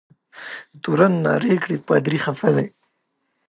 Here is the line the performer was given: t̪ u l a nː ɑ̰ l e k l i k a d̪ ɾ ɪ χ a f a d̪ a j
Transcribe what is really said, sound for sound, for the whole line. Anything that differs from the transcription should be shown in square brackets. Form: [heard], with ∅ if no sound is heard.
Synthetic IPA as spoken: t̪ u [ɾ] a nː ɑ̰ [ɾ] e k [ɽ] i [p] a d̪ ɾ [i] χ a f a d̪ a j